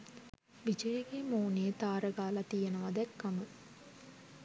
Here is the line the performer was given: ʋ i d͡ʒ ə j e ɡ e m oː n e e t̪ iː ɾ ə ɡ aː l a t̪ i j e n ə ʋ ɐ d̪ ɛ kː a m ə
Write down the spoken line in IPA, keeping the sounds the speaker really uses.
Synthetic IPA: ʋ i d͡ʒ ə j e ɡ e m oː n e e t̪ aː ɾ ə ɡ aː l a t̪ i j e n ə ʋ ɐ d̪ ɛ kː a m ə